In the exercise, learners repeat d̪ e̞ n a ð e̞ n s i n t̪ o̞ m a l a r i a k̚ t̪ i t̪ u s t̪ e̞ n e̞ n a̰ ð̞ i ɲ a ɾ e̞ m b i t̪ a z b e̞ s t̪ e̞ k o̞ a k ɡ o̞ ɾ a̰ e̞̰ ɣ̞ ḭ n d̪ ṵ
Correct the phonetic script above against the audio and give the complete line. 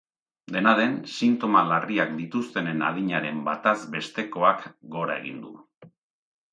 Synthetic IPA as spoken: d̪ e̞ n a ð e̞ n s i n t̪ o̞ m a l a r i a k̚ d̪ i t̪ u s t̪ e̞ n e̞ n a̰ ð̞ i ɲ a ɾ e̞ m b a t̪ a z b e̞ s t̪ e̞ k o̞ a k ɡ o̞ ɾ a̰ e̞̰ ɣ̞ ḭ n d̪ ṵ